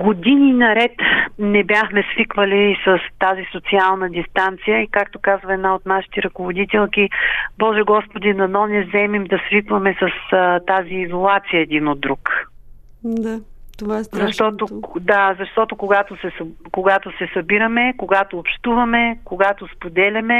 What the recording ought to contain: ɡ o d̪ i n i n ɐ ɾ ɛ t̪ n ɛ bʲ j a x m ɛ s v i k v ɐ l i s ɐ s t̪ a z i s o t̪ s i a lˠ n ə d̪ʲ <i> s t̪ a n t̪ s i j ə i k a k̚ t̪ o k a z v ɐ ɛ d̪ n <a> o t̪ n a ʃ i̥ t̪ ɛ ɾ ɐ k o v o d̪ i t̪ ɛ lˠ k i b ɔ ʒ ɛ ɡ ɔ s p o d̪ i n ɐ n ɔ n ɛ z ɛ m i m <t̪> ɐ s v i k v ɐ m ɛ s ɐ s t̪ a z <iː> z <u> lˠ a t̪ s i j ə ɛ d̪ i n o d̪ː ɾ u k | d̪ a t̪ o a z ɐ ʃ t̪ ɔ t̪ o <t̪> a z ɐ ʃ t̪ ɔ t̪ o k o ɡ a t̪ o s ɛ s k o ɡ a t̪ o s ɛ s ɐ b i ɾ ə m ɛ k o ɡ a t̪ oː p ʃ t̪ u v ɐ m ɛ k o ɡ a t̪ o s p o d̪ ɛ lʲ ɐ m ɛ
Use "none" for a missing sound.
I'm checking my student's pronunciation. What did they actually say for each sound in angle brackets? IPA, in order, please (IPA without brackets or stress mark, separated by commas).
i, a, d̪, iː, o, d̪